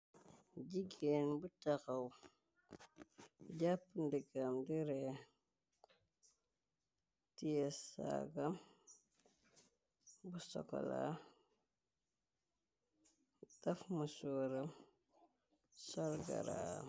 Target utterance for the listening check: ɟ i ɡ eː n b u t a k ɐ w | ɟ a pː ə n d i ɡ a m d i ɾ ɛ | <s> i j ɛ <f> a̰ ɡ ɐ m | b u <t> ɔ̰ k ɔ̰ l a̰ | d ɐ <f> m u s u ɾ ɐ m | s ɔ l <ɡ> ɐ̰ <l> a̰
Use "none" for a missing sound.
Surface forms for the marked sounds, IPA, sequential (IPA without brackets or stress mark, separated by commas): t, s, s, f, ɡ, ɾ